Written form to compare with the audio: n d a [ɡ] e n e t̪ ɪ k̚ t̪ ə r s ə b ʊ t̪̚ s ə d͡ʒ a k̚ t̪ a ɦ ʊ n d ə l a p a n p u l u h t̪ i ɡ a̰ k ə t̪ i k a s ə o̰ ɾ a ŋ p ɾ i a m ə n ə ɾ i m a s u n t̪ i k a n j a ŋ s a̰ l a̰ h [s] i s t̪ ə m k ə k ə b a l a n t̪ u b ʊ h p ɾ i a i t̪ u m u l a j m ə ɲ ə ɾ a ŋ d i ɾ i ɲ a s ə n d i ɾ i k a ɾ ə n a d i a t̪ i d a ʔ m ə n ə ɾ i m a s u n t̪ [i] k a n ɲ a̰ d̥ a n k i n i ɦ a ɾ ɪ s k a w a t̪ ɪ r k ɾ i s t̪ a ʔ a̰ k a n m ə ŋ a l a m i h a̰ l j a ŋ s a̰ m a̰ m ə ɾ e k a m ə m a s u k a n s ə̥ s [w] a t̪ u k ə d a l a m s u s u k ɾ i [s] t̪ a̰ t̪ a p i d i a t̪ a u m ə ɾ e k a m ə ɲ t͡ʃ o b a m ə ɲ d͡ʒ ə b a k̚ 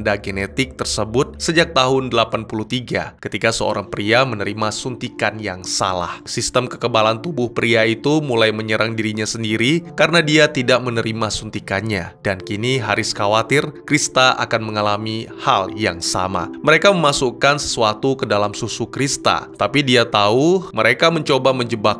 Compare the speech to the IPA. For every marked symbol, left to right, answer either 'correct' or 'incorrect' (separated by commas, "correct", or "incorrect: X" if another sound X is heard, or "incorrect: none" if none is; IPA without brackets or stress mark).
correct, correct, correct, incorrect: u, correct